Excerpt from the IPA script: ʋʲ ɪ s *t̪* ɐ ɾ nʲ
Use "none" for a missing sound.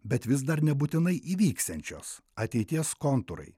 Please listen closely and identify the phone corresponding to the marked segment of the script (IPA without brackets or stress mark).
d̪